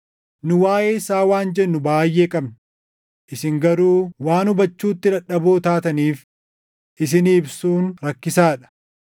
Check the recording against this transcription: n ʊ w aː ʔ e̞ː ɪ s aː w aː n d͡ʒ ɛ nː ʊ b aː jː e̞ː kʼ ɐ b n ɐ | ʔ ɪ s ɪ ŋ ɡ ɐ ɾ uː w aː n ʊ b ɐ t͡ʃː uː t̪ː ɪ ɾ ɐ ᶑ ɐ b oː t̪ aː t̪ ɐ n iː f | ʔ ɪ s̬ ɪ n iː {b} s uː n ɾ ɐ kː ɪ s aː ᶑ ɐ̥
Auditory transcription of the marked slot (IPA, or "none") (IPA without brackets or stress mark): b